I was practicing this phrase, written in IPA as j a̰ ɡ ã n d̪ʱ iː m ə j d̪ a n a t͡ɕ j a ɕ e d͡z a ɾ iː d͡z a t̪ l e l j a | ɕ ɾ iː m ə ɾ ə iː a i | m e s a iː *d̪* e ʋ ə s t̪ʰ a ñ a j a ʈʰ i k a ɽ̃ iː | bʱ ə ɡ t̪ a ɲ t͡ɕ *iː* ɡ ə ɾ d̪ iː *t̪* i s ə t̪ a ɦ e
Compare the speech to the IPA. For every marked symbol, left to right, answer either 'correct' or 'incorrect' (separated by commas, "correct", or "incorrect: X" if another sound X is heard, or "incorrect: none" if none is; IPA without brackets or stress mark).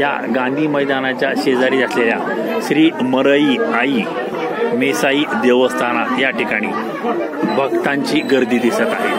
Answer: correct, correct, incorrect: d̪